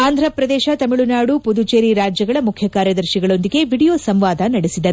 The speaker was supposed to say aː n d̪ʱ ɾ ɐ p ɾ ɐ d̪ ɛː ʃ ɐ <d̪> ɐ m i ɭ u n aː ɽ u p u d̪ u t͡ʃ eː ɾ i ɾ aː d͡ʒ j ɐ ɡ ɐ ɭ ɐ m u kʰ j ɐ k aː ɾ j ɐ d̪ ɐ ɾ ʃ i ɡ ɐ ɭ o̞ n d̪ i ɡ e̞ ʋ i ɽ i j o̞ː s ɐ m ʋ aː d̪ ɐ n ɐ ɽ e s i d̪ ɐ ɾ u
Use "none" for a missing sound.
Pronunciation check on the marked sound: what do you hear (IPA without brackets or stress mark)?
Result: t̪